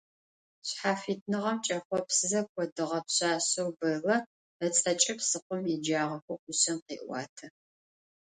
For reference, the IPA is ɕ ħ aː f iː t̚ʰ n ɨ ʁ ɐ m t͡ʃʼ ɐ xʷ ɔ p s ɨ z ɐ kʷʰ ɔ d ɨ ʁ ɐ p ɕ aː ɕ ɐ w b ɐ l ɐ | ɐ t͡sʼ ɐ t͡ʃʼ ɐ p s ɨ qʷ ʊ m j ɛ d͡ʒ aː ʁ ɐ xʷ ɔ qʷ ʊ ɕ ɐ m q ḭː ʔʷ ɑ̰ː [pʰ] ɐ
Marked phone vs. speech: incorrect: tʰ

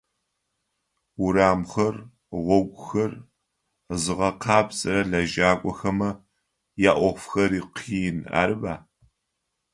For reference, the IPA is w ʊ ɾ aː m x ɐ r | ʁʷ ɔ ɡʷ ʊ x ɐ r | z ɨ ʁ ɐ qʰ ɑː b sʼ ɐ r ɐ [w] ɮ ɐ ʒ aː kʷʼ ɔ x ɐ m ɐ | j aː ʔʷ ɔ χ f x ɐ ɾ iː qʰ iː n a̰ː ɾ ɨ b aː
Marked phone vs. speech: incorrect: none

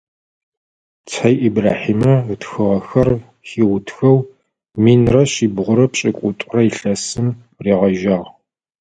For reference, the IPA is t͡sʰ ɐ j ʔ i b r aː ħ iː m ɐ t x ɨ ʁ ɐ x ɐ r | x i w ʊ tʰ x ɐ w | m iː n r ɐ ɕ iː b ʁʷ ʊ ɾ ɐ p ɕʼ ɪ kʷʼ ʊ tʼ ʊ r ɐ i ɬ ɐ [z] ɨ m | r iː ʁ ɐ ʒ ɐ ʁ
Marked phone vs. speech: incorrect: s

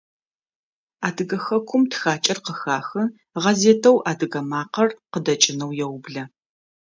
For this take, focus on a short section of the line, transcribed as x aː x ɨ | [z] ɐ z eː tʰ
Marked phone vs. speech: incorrect: ʁ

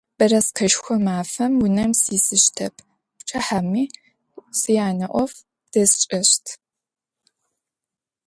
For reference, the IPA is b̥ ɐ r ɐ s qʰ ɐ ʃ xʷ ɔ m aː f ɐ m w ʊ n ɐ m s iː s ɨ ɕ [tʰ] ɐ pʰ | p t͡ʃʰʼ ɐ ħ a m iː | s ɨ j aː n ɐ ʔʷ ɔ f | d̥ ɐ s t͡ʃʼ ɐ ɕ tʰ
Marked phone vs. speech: correct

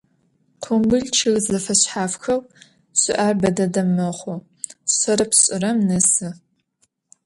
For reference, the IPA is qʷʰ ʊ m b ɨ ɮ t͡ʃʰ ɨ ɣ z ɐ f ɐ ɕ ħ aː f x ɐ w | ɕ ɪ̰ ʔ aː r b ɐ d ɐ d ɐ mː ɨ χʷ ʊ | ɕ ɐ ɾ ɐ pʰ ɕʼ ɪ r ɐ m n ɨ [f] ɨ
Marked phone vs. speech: incorrect: s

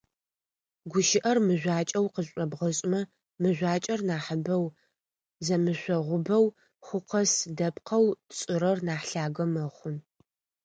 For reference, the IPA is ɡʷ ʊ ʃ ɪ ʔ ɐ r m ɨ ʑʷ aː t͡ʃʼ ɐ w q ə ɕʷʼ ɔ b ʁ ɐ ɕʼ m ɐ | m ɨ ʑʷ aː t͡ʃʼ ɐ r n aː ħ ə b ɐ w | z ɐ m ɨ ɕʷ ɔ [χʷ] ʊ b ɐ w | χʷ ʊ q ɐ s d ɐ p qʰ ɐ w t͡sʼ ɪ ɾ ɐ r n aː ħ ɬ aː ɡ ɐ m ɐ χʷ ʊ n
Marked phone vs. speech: incorrect: ʁʷ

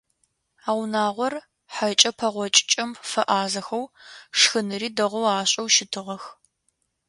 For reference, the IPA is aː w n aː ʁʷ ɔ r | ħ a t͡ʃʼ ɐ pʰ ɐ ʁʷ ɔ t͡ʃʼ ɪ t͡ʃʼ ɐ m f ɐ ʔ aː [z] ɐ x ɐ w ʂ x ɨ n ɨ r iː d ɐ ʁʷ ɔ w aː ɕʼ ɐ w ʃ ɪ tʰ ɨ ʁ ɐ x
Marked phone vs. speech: correct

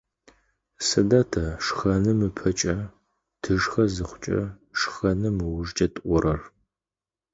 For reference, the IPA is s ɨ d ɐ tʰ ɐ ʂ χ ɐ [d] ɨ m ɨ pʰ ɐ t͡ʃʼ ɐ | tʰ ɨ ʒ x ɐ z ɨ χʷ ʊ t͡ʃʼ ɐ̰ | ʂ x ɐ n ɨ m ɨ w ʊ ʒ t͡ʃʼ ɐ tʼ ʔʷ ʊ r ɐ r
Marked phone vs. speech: incorrect: n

